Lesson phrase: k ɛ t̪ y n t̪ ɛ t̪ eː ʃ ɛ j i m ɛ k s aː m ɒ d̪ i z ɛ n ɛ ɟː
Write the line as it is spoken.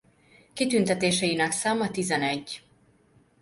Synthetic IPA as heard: k i t̪ y n t̪ ɛ t̪ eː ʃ ɛ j i n ɛ k s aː m ɒ t̪ i z ɛ n ɛ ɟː